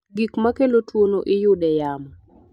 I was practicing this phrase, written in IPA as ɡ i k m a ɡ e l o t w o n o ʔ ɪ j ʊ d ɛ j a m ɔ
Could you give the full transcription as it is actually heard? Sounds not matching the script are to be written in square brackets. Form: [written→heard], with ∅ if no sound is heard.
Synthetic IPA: ɡ i k m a [ɡ→k] e l o t w o n o ʔ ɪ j ʊ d ɛ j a m ɔ